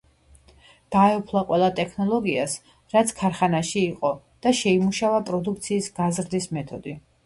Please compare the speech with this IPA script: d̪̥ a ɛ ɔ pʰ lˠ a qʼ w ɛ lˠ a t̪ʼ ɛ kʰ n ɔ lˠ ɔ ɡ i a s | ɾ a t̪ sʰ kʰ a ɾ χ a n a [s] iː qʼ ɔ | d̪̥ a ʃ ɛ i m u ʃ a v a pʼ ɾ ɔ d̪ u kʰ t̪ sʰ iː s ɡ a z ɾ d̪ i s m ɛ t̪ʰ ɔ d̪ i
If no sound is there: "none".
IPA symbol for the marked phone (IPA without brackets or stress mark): ʃ